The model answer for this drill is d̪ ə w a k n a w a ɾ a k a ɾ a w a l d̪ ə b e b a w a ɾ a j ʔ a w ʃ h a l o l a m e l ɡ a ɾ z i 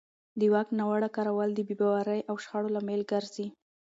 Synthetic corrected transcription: d̪ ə w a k n a w a ɽ a k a ɾ a w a l d̪ ə b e b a w a ɾ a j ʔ a w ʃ x a ɽ o l a m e l ɡ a ɾ z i